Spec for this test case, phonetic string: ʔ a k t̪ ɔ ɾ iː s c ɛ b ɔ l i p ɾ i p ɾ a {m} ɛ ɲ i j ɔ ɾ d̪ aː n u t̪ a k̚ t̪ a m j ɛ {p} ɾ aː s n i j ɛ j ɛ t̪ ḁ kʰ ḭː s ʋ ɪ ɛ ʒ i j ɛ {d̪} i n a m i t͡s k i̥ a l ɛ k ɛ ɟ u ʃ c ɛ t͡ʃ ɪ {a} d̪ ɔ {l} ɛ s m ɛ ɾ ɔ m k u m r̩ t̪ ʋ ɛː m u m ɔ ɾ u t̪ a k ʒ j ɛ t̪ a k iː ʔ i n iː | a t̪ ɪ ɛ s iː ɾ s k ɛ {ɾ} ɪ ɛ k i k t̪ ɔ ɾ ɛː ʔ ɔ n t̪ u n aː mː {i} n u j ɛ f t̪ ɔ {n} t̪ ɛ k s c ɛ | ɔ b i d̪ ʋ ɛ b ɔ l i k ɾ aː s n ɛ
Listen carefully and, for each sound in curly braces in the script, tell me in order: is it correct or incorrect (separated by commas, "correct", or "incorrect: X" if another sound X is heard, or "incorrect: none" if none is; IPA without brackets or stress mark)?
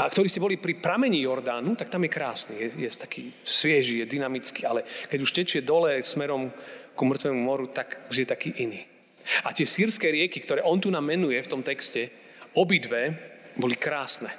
correct, incorrect: k, correct, incorrect: ɛ, correct, correct, incorrect: ɛ, incorrect: m